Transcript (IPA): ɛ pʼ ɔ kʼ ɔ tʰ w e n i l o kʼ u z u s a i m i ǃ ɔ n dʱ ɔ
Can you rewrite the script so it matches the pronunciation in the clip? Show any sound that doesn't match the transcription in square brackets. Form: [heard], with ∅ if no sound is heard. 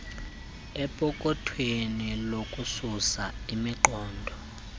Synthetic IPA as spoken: ɛ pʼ ɔ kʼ ɔ tʰ w e n i l o kʼ u [s] u s a i m i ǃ [ɔː] n dʱ ɔ